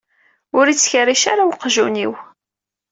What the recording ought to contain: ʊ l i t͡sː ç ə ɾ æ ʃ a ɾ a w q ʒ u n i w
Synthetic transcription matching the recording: ʊ ɾ i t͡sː ç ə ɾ i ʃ a ɾ a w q ʒ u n i w